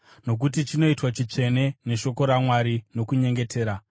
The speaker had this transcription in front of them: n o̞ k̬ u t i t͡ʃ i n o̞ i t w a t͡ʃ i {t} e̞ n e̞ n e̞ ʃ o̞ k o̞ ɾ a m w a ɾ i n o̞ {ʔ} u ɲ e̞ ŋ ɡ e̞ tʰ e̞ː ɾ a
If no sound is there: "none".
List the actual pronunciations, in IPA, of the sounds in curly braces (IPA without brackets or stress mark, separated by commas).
t͡ʂ, k